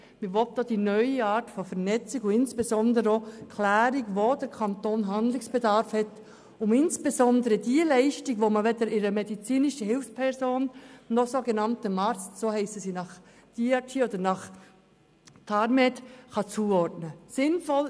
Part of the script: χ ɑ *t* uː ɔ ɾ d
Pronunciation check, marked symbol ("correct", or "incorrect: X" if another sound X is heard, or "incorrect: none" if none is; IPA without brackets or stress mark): incorrect: t͡s